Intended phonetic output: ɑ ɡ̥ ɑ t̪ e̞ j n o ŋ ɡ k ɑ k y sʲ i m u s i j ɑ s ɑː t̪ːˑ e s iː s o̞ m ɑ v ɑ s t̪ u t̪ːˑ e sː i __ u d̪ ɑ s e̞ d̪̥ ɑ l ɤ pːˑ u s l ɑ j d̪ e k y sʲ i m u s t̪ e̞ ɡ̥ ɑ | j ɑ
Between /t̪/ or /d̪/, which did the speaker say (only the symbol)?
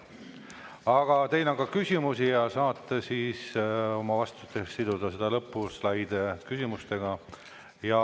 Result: d̪